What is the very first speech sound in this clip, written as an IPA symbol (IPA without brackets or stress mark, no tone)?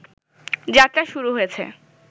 d͡ʑ